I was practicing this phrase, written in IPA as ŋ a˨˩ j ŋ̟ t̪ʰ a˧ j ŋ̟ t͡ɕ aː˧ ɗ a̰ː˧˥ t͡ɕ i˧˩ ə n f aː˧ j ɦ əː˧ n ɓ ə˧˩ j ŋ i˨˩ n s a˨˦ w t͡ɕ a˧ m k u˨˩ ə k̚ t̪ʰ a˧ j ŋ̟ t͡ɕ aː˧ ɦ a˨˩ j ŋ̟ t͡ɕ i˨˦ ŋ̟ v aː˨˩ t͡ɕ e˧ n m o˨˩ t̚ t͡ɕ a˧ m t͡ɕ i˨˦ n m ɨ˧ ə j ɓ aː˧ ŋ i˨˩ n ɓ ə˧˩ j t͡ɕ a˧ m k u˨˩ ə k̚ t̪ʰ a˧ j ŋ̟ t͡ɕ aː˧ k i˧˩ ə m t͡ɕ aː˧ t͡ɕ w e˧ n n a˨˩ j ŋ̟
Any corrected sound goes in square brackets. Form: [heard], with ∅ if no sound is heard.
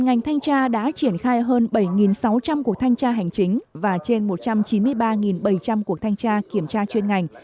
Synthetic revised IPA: ŋ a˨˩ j ŋ̟ t̪ʰ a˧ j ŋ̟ t͡ɕ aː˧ ɗ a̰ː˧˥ t͡ɕ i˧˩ ə n [x] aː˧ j ɦ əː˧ n ɓ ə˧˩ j ŋ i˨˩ n s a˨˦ w t͡ɕ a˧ m k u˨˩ ə k̚ t̪ʰ a˧ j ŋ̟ t͡ɕ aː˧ ɦ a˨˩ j ŋ̟ t͡ɕ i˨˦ ŋ̟ v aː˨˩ t͡ɕ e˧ n m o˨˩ t̚ t͡ɕ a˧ m t͡ɕ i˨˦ n m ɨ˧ ə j ɓ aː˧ ŋ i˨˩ n ɓ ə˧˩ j t͡ɕ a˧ m k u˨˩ ə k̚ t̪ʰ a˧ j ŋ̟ t͡ɕ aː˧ k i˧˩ ə m t͡ɕ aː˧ t͡ɕ w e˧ n [ŋ] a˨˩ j ŋ̟